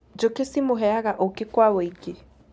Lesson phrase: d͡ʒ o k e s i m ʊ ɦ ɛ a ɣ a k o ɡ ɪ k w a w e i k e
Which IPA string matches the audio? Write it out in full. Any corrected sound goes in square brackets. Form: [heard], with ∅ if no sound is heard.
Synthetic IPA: d͡ʒ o k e s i m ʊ ɦ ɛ a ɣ a [ʔ] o [k] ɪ k w a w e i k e